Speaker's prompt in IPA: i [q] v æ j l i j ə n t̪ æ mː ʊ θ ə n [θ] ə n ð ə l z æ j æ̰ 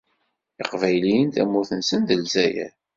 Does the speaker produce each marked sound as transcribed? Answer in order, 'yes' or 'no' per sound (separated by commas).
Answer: yes, no